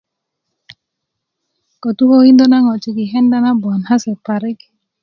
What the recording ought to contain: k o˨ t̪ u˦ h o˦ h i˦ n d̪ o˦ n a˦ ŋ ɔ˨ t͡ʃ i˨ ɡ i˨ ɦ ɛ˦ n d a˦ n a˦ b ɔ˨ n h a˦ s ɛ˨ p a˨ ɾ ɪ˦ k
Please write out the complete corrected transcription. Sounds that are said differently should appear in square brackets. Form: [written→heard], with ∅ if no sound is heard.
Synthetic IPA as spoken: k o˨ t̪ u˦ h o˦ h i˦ n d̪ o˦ n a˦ ŋ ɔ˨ t͡ʃ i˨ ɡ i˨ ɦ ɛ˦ n d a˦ n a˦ b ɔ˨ n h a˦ s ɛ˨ p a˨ ɾ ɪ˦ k